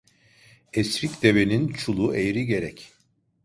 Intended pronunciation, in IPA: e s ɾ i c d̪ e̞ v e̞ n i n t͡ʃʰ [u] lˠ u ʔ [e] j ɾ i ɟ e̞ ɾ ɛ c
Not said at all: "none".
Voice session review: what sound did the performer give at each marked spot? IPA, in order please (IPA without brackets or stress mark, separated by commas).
u, e